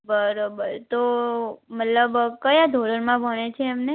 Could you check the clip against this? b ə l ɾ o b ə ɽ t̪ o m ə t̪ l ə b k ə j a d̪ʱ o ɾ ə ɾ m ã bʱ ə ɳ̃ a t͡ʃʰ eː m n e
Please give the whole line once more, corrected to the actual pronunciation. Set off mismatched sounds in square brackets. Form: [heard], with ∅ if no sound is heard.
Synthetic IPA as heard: b ə [∅] ɾ o b ə [ɾ] t̪ o m ə t̪ l ə b k ə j a d̪ʱ o ɾ ə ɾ m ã bʱ ə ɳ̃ [e] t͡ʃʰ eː m n e